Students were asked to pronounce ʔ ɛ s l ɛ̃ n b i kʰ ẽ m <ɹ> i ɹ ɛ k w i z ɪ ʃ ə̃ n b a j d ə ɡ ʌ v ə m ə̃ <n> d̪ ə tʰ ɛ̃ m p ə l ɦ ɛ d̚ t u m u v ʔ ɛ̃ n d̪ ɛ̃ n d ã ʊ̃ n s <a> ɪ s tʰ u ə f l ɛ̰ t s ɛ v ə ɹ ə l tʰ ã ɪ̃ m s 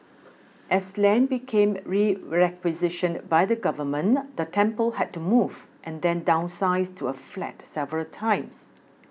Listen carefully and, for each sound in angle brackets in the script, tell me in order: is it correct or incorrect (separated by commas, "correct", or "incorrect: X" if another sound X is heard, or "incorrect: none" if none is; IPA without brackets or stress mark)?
correct, correct, correct